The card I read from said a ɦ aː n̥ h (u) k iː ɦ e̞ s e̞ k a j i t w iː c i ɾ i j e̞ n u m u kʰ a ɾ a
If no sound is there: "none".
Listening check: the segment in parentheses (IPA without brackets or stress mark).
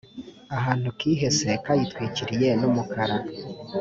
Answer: u